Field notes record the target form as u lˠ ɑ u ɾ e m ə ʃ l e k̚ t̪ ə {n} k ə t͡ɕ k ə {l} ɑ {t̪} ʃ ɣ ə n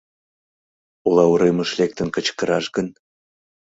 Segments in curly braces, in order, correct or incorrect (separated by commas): correct, incorrect, incorrect